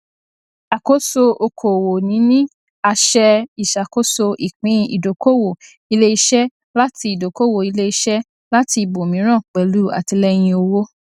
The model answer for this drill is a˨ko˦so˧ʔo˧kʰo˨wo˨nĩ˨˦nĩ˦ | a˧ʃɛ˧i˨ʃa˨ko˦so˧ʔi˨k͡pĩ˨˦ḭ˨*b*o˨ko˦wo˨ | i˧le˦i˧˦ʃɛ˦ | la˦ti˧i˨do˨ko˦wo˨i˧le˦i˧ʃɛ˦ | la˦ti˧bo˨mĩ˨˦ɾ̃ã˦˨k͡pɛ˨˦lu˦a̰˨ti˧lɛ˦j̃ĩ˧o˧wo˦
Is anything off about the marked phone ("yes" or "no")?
yes